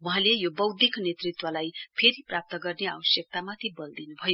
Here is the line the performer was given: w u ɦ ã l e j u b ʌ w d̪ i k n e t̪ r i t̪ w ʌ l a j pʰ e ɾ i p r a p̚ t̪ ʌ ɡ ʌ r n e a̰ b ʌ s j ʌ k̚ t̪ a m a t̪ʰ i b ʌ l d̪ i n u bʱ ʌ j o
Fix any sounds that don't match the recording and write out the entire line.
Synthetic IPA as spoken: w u ɦ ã l e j o b ʌ w d̪ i k n e t̪ r i t̪ w ʌ l a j pʰ e ɾ i p r a p̚ t̪ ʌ ɡ ʌ r n e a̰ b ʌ s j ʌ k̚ t̪ a m a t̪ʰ i b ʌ l d̪ i n u bʱ ʌ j o

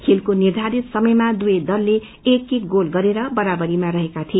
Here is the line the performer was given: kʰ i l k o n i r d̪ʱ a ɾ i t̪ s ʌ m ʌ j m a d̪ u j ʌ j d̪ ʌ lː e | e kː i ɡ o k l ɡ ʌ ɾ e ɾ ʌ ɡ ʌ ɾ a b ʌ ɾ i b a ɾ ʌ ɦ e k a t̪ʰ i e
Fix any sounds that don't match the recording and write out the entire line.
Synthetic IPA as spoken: kʰ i l k o n i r d̪ʱ a ɾ i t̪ s ʌ m ʌ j m a d̪ u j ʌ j d̪ ʌ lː e | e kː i ɡ o l ɡ ʌ ɾ e ɾ ʌ b ʌ ɾ a b ʌ ɾ i m a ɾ ʌ ɦ e k a t̪ʰ i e

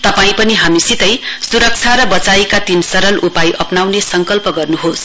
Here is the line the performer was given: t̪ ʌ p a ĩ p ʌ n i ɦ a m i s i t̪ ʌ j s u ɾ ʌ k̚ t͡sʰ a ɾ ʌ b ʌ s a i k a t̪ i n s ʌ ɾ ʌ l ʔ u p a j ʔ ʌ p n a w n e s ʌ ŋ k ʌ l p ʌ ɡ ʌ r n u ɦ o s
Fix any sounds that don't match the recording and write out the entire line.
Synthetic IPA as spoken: t̪ ʌ p a ĩ p ʌ n i ɦ a m i s i t̪ ʌ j s u ɾ ʌ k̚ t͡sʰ a ɾ ʌ b ʌ t͡s a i k a t̪ i n s ʌ ɾ ʌ l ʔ u p a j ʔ ʌ p n a w n e s ʌ ŋ k ʌ l p ʌ ɡ ʌ r n u ɦ o s

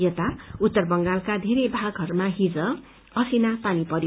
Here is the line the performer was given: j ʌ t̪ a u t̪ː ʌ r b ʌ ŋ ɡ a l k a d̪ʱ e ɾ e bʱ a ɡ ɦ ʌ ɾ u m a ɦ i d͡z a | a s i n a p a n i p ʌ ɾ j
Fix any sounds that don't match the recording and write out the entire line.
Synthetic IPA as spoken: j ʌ t̪ a u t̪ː ʌ r b ʌ ŋ ɡ a l k a d̪ʱ e ɾ e bʱ a ɡ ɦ ʌ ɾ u m a ɦ i d͡z ʌ | ʌ s i n a p a n i p ʌ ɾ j

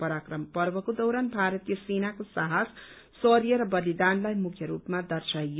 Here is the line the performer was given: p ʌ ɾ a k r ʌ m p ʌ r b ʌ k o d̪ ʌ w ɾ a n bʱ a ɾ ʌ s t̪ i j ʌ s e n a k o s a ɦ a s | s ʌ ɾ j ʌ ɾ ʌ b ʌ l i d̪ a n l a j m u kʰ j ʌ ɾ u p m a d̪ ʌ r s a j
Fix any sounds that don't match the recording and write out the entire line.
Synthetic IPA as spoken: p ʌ ɾ a k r ʌ m p ʌ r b ʌ k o d̪ ʌ w ɾ a n bʱ a ɾ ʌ t̪ i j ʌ s e n a k o s a ɦ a s | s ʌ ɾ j ʌ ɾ ʌ b ʌ l i d̪ a n l a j m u kʰ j ʌ ɾ u p m a d̪ ʌ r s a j

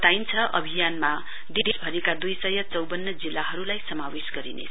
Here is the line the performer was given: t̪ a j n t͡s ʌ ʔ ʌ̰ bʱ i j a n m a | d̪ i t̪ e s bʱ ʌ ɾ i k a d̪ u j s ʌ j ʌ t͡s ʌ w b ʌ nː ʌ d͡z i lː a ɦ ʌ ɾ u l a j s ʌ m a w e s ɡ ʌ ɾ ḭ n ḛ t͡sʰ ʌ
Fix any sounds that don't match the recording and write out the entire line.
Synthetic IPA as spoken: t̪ a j n t͡sʰ ʌ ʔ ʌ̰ bʱ i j a n m a | d̪ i d̪ e s bʱ ʌ ɾ i k a d̪ u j s ʌ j ʌ t͡s ʌ w b ʌ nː ʌ d͡z i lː a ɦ ʌ ɾ u l a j s ʌ m a w e s ɡ ʌ ɾ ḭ n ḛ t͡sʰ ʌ

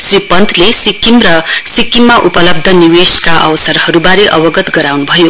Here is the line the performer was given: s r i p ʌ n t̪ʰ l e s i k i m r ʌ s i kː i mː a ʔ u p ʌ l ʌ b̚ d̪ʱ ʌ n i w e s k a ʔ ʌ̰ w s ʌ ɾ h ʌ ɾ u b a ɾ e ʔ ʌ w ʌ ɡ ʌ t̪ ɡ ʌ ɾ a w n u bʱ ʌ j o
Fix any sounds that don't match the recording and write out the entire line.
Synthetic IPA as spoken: s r i p ʌ n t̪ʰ l e s i k i m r ʌ s i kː i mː a ʔ u p ʌ l ʌ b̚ d̪ʱ ʌ n i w e s k a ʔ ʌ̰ w s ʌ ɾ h ʌ ɾ u b a ɾ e ʔ ʌ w ʌ ɡ ʌ t̪ ɡ ʌ ɾ a w n u bʱ ʌ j o

